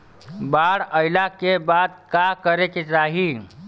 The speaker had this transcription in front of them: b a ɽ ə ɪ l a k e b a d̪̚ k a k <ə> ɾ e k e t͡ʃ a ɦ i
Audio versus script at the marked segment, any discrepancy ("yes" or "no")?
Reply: no